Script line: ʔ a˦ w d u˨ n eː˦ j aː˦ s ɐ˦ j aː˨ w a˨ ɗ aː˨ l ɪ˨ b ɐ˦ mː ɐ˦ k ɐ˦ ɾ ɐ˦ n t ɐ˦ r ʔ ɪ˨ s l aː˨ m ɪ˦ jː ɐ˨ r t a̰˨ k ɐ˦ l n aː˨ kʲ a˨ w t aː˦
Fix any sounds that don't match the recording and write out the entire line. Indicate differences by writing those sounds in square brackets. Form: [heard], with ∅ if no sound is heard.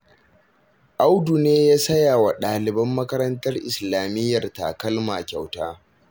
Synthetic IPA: ʔ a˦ w d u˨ n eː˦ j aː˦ s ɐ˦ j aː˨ w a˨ ɗ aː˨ l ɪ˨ b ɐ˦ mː ɐ˦ k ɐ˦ ɾ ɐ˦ n t ɐ˦ r ʔ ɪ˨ s l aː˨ m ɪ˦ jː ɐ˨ r t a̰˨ k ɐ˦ l [m] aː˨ kʲ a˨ w t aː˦